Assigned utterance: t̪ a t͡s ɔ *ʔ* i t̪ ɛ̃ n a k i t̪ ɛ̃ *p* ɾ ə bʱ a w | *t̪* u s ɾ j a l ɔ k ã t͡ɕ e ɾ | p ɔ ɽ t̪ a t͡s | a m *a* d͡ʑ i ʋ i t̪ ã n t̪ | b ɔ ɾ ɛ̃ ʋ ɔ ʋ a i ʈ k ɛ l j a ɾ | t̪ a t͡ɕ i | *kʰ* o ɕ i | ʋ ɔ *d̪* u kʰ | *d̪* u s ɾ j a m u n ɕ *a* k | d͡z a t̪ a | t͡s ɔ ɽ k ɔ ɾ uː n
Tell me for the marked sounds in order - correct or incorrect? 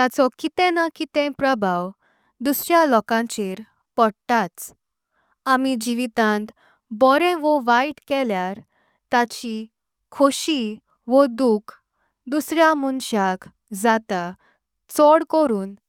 incorrect: k, correct, incorrect: d̪, incorrect: i, correct, correct, correct, correct

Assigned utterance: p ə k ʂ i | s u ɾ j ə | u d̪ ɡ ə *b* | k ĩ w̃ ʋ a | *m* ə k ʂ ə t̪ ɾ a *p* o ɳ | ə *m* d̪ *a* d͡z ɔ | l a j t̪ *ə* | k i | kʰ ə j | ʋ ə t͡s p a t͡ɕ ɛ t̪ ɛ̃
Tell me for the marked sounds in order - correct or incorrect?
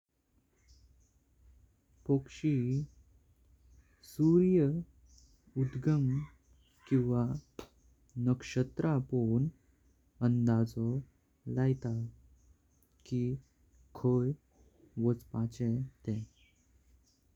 incorrect: m, incorrect: n, correct, incorrect: n, correct, incorrect: a

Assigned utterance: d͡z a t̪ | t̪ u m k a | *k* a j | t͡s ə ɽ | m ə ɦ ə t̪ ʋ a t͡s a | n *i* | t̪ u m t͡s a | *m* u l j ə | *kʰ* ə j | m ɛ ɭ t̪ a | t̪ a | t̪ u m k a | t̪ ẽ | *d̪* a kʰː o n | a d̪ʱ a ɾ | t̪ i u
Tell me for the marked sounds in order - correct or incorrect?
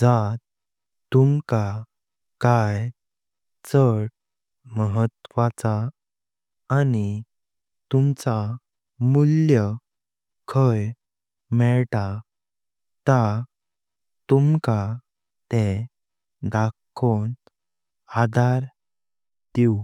correct, correct, correct, correct, correct

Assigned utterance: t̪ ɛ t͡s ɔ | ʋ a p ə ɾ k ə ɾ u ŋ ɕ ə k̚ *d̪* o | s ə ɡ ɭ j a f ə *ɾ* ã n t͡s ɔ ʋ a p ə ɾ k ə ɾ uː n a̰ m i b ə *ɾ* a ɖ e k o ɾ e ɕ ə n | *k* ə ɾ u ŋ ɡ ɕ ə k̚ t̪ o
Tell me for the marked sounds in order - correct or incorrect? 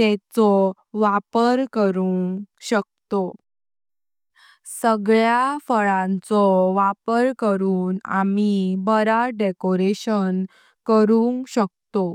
incorrect: t̪, incorrect: ɭ, correct, correct

